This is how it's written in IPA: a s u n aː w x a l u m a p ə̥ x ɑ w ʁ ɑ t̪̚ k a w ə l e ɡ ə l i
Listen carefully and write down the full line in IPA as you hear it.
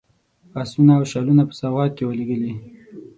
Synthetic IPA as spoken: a s u n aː w ʃ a l u n a p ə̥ s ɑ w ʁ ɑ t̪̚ k e w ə l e ɡ ə l i